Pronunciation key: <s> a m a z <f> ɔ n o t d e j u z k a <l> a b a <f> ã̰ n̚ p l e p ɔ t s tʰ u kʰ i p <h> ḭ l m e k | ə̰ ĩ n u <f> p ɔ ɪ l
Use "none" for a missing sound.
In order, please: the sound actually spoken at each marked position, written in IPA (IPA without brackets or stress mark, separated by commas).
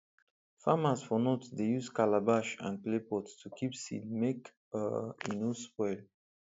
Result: f, f, l, ʃ, s, s